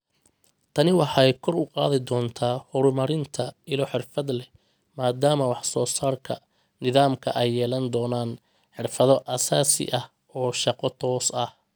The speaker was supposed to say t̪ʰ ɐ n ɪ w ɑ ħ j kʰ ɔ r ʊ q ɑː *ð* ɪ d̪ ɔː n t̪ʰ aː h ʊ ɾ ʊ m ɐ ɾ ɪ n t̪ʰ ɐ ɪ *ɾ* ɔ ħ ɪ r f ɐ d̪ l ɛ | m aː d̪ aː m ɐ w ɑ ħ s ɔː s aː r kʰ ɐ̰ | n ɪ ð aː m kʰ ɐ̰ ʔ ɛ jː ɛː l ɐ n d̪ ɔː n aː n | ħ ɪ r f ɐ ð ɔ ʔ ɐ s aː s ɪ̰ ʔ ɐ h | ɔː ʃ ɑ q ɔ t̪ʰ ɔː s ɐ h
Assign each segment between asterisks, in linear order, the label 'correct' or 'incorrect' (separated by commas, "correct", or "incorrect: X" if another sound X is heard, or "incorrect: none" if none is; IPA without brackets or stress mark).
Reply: correct, incorrect: l